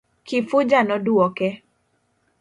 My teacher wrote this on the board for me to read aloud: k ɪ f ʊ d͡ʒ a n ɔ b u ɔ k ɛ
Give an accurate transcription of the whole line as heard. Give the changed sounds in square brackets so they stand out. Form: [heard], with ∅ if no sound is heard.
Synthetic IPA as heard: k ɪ f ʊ d͡ʒ a n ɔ [d] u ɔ k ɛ